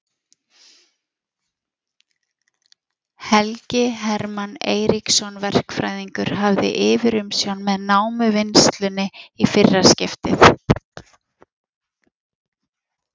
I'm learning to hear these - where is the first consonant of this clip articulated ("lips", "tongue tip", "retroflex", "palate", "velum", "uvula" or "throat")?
throat